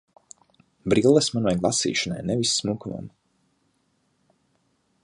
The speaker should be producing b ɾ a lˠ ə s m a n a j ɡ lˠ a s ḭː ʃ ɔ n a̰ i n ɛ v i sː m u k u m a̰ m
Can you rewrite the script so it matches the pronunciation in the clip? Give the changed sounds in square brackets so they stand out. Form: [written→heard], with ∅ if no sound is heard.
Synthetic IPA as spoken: b ɾ [a→i] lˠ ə s m a n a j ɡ lˠ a s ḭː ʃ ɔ n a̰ [i→j] n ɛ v i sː m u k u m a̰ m